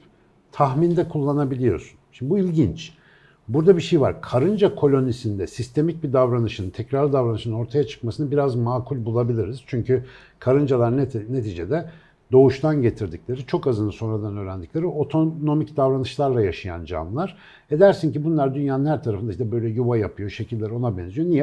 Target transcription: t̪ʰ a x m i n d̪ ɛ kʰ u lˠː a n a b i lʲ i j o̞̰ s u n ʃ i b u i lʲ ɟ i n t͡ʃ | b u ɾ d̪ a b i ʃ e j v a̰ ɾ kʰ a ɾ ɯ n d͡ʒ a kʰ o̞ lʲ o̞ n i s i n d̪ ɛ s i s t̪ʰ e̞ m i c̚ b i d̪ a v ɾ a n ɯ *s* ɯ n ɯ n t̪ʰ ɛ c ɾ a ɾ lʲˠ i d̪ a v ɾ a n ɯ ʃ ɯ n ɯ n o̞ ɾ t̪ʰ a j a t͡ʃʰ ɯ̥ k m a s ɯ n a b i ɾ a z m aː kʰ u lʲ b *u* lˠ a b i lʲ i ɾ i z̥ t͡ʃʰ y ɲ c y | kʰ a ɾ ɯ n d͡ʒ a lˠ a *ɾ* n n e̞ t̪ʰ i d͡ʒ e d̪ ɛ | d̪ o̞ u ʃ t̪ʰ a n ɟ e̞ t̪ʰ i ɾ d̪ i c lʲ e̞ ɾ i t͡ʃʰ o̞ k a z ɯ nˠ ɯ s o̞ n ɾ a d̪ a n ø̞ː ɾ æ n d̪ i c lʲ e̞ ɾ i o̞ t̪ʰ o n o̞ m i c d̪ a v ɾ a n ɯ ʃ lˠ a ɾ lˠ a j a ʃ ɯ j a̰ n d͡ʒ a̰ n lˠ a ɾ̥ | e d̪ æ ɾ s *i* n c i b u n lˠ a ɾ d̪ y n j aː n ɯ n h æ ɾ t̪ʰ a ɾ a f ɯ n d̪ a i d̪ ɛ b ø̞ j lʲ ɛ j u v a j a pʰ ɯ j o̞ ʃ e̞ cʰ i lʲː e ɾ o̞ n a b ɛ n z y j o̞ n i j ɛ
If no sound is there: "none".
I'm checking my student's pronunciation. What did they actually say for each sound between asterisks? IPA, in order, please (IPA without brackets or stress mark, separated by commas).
ʃ, u, ɾ, i